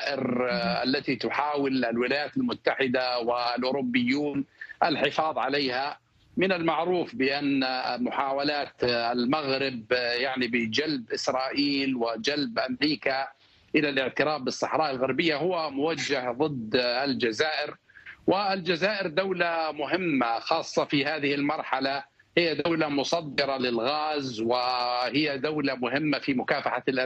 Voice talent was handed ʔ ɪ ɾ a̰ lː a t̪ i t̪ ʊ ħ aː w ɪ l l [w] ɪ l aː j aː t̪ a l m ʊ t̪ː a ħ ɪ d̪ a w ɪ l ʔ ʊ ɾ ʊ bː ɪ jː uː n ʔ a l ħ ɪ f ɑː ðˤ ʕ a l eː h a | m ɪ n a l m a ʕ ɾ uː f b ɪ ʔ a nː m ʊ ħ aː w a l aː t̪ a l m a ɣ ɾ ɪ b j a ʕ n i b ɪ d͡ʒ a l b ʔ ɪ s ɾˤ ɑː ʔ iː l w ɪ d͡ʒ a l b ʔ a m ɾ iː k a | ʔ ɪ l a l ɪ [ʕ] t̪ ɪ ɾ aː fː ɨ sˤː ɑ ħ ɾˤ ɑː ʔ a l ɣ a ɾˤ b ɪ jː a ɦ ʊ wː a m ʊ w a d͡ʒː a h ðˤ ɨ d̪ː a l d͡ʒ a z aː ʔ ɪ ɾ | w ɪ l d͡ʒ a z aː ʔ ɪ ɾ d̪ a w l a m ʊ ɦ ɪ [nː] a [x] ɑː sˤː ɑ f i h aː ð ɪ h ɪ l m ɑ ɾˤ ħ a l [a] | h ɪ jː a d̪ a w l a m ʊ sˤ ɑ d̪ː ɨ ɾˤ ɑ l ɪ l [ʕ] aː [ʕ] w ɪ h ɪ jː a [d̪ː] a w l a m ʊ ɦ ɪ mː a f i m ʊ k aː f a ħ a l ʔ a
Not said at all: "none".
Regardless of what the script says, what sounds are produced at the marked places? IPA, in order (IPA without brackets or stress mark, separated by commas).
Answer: w, ʕ, mː, x, a, ɣ, z, d̪